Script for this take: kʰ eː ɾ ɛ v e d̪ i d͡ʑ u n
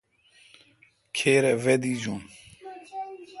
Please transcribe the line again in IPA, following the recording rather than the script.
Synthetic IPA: kʰ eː ɾ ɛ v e d̪ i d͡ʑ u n